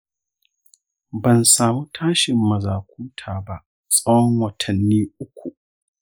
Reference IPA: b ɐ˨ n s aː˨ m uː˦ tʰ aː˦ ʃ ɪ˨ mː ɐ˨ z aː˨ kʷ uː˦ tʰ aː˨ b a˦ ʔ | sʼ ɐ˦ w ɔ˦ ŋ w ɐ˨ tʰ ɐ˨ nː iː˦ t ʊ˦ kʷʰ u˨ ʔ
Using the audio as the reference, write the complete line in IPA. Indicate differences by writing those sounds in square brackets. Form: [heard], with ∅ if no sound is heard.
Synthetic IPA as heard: b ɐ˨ n s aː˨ m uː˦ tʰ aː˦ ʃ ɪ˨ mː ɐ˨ z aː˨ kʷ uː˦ tʰ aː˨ b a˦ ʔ | sʼ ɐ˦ w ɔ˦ ŋ w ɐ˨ tʰ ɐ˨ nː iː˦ [ʔ] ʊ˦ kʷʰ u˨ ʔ